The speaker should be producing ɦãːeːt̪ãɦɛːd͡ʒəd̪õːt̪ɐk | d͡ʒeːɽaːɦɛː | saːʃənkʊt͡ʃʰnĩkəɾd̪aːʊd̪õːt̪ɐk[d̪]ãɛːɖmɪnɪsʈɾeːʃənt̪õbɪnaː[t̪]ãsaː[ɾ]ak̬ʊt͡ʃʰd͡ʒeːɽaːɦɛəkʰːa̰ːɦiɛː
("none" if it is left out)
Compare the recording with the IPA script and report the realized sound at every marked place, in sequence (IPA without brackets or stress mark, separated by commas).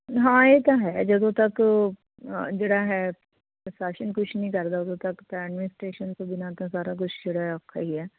t̪, t̪, ɾ